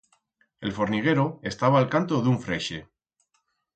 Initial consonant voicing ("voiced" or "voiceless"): voiced